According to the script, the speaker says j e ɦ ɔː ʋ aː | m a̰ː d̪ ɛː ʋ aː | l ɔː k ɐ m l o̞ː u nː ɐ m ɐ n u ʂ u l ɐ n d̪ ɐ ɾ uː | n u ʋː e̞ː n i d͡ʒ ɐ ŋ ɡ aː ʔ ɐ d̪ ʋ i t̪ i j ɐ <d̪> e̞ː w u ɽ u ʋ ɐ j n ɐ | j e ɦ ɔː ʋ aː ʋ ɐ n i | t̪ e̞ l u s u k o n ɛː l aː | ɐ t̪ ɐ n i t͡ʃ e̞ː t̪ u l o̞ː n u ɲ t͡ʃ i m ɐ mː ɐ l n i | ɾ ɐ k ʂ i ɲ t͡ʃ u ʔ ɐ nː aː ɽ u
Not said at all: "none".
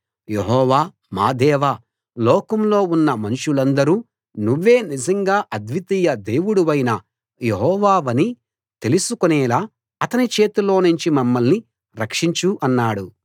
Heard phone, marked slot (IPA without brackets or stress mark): d̪